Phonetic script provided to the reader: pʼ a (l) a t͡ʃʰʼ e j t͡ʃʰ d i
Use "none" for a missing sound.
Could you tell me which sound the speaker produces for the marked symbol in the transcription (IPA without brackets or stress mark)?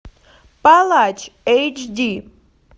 l